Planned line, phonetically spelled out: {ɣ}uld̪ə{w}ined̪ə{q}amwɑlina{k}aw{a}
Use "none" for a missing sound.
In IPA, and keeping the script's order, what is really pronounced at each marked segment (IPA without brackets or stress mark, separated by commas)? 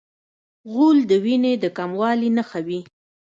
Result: ɣ, w, k, x, i